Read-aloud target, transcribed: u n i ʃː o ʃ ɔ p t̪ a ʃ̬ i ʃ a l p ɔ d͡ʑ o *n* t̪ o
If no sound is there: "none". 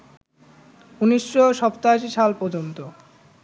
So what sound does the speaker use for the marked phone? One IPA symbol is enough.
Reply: n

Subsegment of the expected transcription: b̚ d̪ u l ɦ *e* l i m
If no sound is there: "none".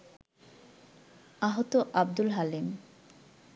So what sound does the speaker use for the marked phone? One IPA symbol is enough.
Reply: a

